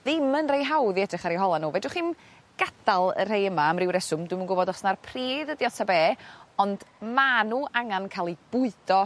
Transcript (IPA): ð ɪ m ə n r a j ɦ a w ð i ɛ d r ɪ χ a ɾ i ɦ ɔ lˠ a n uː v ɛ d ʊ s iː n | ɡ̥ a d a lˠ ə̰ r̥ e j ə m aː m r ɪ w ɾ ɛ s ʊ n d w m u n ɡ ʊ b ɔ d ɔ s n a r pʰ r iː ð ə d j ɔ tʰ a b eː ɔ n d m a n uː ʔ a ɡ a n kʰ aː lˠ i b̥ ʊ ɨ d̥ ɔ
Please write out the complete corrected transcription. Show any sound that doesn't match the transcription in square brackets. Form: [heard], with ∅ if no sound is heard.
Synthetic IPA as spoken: ð ɪ m ə n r [e] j ɦ a w ð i ɛ d r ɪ χ a ɾ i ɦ ɔ lˠ a n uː v ɛ d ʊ [χ] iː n | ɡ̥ a d a lˠ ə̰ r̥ e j ə m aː m r ɪ w ɾ ɛ s ʊ [m] d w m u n ɡ ʊ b ɔ d ɔ s n a r pʰ r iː ð ə d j ɔ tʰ a b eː ɔ n d m a n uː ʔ a [ŋ] a n kʰ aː lˠ i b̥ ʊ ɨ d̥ ɔ